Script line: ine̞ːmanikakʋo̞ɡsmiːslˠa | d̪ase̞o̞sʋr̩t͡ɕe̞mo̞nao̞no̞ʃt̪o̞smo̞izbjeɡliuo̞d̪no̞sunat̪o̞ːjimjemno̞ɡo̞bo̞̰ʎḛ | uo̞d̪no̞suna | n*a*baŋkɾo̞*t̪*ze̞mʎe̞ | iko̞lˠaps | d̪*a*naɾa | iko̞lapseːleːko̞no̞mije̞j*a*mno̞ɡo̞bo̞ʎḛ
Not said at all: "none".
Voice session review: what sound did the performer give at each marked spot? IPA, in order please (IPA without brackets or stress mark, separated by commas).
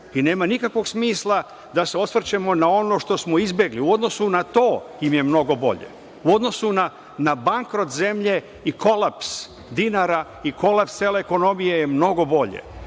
a, t̪, i, e